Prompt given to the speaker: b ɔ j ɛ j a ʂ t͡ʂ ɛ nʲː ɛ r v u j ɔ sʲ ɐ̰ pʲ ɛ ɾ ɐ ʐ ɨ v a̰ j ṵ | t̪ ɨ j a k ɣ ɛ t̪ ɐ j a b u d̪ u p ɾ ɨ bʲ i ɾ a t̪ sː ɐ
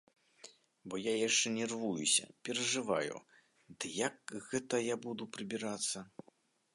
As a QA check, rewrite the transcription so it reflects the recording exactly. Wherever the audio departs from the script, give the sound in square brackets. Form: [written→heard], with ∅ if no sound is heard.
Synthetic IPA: b ɔ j [ɛ→a] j a ʂ t͡ʂ ɛ [nʲː→nʲ] ɛ r v u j [ɔ→u] sʲ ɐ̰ pʲ ɛ ɾ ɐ ʐ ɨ v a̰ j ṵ | [t̪→d̪] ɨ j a k ɣ ɛ t̪ ɐ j a b u d̪ u p ɾ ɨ bʲ i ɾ a t̪ sː ɐ